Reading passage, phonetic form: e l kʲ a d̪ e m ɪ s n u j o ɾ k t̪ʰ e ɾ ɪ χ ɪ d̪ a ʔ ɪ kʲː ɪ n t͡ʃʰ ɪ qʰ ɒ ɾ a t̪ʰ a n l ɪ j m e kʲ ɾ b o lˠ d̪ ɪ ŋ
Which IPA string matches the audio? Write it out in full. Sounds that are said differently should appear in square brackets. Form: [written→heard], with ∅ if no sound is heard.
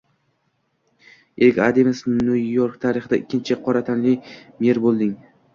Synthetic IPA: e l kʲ a d̪ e m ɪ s n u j o ɾ k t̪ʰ [e→a] ɾ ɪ χ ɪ d̪ a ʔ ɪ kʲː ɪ n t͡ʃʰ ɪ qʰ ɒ ɾ a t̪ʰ a n l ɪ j m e [kʲ→∅] ɾ b o lˠ d̪ ɪ ŋ